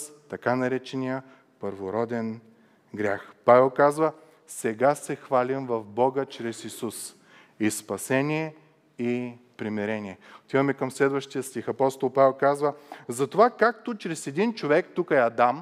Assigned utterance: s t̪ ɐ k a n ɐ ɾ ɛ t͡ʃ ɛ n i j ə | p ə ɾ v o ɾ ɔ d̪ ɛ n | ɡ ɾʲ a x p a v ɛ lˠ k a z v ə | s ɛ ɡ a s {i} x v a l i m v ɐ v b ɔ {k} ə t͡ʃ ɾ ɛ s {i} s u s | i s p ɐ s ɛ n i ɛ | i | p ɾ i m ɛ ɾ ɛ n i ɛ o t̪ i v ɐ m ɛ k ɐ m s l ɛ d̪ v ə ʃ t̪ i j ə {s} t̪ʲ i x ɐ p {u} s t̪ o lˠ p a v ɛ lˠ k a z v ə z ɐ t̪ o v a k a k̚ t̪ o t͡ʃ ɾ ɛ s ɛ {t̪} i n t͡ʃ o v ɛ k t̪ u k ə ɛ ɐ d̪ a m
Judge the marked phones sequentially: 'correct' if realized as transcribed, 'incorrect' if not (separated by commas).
incorrect, incorrect, correct, correct, incorrect, incorrect